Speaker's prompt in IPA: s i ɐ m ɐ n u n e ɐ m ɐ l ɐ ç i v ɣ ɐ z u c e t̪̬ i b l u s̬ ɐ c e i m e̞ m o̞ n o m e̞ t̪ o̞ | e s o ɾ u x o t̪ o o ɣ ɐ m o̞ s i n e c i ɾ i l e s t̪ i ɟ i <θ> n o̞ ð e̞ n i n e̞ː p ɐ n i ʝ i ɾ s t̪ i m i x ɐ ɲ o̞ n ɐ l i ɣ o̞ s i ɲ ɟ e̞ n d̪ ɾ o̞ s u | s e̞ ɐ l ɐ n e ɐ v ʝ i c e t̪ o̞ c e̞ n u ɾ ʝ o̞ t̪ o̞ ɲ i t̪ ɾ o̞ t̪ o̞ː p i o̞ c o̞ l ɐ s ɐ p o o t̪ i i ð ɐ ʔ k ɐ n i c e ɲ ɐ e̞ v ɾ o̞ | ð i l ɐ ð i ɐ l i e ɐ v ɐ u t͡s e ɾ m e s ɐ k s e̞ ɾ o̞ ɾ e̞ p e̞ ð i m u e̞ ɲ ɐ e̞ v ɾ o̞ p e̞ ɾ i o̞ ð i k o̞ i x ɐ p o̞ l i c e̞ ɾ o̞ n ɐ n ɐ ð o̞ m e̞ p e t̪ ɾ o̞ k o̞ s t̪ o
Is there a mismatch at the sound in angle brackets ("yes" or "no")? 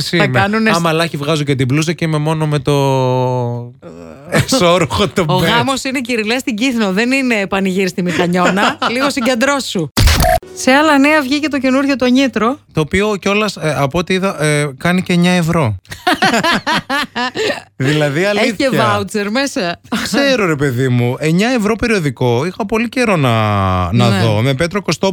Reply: no